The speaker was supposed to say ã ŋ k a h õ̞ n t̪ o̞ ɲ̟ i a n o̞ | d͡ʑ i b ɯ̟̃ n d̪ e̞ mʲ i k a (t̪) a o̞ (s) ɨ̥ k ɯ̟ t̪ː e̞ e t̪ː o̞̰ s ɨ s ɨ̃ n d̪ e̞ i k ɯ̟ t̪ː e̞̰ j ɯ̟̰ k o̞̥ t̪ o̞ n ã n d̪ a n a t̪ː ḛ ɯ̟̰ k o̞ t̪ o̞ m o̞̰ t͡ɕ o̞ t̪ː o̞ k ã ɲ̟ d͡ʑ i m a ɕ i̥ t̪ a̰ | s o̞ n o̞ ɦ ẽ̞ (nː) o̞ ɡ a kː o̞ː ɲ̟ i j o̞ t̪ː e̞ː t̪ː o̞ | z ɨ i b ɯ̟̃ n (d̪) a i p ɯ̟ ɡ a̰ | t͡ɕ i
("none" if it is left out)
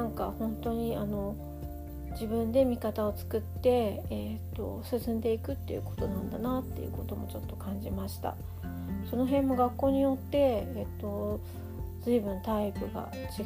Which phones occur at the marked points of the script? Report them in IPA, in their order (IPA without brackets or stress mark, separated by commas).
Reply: t̪, t͡s, mː, t̪